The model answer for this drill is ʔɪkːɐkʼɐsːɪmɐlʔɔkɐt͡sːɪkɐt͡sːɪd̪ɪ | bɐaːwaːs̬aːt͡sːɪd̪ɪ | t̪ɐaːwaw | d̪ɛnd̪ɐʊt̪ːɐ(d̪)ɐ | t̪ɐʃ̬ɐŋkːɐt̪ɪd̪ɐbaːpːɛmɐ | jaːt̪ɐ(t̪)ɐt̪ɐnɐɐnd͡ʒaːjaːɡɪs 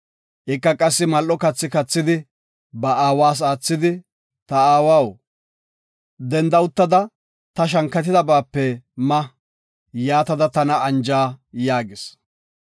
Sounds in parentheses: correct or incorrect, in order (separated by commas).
correct, incorrect